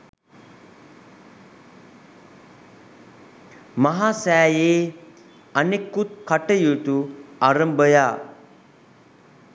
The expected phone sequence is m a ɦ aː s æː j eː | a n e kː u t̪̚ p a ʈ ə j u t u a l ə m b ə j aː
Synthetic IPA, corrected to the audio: m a ɦ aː s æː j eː | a n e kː u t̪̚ k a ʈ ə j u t u a ɾ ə m b ə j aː